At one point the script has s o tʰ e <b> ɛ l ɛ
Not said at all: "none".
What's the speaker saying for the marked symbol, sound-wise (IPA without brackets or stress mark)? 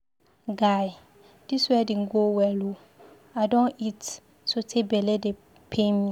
b